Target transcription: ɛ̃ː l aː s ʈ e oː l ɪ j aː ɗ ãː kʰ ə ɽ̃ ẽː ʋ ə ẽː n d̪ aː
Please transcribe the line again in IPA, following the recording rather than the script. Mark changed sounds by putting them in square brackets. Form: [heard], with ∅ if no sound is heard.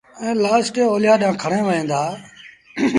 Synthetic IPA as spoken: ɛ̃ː l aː s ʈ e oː l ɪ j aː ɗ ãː kʰ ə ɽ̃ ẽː ʋ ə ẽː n d̪ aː

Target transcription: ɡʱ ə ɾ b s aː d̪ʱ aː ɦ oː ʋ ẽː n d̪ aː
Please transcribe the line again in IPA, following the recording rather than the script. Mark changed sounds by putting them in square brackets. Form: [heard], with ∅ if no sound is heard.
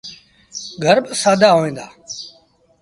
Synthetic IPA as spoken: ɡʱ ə ɾ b s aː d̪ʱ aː ɦ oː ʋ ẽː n d̪ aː

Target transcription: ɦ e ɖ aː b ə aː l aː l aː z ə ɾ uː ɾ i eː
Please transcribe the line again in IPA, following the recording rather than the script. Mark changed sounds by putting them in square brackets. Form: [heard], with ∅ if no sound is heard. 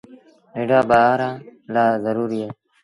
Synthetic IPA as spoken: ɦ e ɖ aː b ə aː [ɾ] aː l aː z ə ɾ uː ɾ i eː

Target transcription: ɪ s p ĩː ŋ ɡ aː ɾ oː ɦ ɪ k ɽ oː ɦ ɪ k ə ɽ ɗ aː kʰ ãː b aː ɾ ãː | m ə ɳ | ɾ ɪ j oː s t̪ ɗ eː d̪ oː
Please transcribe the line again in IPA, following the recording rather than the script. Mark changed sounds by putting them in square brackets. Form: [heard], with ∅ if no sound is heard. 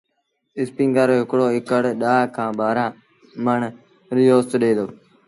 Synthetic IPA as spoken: ɪ s p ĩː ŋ ɡ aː ɾ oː ɦ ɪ k ɽ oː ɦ ɪ k ə ɽ ɗ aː kʰ ãː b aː ɾ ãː | m ə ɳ | ɾ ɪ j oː s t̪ ɗ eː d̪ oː

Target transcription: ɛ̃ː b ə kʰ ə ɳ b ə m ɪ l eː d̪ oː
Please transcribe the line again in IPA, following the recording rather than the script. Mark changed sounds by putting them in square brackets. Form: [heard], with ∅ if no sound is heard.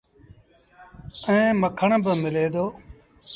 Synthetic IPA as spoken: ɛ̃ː [m] ə kʰ ə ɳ b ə m ɪ l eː d̪ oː

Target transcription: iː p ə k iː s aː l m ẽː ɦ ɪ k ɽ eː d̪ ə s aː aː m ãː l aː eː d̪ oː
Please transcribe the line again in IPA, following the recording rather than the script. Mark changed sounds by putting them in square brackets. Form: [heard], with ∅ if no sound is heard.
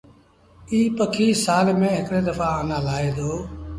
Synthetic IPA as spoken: iː p ə [kʰ] iː s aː l m ẽː ɦ ɪ k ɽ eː d̪ ə [f] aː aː [n] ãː l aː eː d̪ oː

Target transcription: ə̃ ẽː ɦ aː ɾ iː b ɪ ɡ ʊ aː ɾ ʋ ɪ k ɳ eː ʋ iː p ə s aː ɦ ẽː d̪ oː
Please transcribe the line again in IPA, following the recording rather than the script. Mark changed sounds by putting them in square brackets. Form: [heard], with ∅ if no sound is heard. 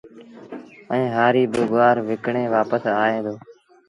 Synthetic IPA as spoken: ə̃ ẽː ɦ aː ɾ iː b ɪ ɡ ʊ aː ɾ ʋ ɪ k ɳ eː ʋ [aː] p ə s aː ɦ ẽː d̪ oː

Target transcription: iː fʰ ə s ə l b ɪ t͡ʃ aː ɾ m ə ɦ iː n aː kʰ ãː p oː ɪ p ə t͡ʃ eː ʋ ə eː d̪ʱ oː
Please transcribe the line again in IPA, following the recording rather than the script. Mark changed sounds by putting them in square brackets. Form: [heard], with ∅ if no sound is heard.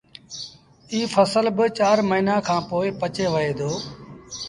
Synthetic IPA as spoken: iː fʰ ə s ə l b ɪ t͡ʃ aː ɾ m ə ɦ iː n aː kʰ ãː p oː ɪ p ə t͡ʃ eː ʋ ə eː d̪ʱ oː

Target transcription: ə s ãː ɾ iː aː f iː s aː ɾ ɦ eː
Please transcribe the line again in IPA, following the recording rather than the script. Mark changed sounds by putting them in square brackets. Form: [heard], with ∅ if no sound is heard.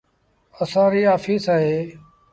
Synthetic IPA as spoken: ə s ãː ɾ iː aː f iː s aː [∅] ɦ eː

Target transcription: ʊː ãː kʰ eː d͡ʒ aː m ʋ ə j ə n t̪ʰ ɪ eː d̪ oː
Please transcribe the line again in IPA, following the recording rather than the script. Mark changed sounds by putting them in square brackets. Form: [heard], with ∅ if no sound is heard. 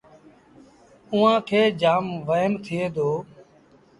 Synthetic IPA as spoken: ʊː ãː kʰ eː d͡ʒ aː m ʋ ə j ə n t̪ʰ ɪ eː d̪ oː

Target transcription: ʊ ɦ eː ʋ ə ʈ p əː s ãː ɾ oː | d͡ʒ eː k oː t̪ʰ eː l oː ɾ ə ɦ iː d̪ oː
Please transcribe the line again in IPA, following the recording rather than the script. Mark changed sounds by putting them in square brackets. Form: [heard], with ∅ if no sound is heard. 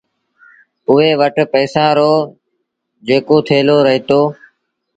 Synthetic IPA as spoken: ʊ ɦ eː ʋ ə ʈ p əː s ãː ɾ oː | d͡ʒ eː k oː t̪ʰ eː l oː ɾ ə ɦ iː [t̪] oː

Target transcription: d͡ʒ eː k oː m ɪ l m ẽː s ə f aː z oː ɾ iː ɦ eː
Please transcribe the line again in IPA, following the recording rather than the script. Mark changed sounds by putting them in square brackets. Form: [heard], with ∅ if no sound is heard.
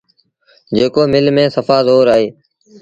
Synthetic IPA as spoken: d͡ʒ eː k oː m ɪ l m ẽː s ə f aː z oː ɾ [aː] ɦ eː

